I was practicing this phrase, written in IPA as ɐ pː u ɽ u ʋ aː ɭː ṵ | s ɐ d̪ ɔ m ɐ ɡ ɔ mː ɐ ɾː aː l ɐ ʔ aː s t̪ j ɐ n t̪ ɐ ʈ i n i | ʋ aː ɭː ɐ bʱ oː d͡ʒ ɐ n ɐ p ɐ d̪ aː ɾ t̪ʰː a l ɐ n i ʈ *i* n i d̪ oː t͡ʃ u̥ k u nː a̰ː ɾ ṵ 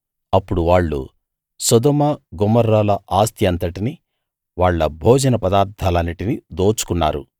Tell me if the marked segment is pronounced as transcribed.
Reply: yes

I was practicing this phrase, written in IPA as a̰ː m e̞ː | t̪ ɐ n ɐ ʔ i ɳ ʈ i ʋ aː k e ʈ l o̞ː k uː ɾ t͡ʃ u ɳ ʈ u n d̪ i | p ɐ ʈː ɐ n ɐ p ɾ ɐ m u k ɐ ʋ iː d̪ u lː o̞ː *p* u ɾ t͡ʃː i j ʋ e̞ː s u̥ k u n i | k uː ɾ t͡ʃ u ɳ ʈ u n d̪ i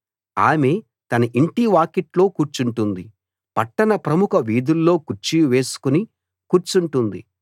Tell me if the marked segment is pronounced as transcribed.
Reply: no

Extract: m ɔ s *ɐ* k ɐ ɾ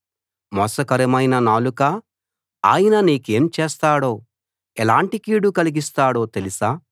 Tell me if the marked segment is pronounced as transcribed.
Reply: yes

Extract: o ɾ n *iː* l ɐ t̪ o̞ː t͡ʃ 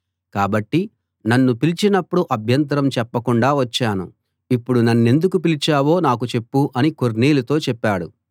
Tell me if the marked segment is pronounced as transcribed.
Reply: yes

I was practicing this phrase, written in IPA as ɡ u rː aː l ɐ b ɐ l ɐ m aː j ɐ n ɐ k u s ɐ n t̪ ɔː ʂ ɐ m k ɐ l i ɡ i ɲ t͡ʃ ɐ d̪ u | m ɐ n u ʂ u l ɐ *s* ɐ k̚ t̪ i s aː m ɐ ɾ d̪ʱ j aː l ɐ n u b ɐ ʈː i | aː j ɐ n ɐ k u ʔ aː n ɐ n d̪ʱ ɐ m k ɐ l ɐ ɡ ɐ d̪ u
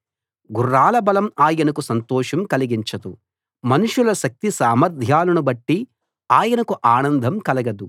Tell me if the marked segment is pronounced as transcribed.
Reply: no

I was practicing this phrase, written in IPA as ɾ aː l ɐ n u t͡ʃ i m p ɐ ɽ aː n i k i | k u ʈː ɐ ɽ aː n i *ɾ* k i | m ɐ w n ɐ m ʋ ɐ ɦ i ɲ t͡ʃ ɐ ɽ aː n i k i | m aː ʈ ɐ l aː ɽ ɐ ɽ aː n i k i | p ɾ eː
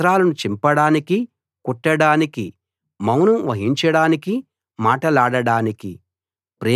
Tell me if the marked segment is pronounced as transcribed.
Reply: no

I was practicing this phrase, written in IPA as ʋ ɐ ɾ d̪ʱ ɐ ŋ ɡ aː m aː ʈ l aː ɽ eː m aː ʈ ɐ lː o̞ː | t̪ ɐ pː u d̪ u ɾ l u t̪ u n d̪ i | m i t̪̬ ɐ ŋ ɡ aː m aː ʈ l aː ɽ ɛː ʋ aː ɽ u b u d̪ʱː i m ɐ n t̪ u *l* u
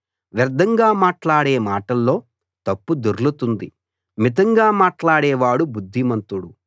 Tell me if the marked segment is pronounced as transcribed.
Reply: no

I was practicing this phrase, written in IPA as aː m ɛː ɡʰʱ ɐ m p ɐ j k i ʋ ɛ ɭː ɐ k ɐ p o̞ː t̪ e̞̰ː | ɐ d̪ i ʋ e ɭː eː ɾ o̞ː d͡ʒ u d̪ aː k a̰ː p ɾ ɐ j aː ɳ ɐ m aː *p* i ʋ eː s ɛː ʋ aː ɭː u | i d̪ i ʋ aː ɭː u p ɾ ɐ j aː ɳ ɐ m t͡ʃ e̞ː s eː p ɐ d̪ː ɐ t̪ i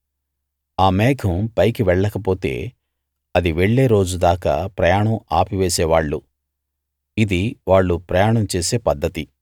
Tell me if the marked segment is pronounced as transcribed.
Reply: yes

